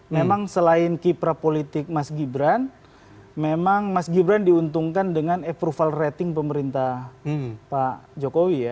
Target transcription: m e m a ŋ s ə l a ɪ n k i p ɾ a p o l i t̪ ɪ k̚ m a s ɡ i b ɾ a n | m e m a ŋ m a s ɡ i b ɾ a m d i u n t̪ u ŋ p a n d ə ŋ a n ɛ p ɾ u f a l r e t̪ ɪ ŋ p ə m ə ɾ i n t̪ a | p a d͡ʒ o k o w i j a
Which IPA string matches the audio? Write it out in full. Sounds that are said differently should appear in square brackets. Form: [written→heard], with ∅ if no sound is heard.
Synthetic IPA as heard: m e m a ŋ s ə l a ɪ n k i p ɾ a p o l i t̪ ɪ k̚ m a s ɡ i b ɾ a n | m e m a ŋ m a s ɡ i b ɾ a [m→n] d i u n t̪ u ŋ [p→k] a n d ə ŋ a n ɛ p ɾ u f a l r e t̪ ɪ ŋ p ə m ə ɾ i n t̪ a | p a d͡ʒ o k o w i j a